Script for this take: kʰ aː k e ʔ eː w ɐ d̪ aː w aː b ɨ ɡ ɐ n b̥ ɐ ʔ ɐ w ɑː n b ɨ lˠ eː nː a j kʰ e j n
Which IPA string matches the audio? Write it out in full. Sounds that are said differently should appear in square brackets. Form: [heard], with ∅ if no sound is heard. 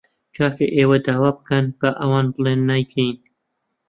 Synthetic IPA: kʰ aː k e ʔ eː w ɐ d̪ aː w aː b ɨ [k] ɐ n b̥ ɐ ʔ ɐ w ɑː n b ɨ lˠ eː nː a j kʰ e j n